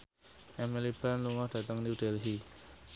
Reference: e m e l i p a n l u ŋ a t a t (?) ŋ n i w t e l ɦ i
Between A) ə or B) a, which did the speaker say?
B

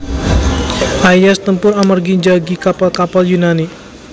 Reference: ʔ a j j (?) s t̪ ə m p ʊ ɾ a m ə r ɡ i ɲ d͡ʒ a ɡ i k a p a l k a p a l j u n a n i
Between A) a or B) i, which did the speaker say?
A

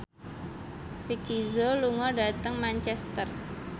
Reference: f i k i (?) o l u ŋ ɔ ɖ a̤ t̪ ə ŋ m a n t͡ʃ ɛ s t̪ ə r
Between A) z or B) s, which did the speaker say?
A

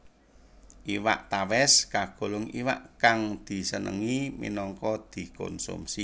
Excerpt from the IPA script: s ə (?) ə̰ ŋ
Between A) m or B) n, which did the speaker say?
B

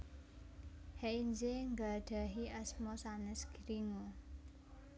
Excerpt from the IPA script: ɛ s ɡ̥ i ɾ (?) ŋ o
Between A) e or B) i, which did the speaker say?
B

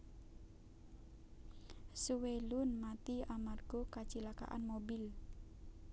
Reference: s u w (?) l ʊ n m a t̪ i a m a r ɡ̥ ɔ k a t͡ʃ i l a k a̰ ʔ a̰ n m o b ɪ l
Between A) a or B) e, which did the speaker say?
B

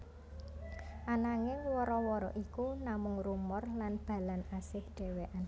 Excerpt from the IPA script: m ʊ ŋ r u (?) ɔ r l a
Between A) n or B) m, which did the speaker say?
B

